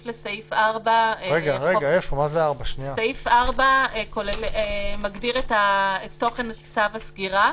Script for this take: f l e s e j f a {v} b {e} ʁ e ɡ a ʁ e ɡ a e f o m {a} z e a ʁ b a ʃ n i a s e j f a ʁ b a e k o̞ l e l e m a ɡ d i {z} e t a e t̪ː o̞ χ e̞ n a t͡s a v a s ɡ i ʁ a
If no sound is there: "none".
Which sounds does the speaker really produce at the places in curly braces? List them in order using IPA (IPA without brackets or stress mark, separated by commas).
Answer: ʁ, a, a, ʁ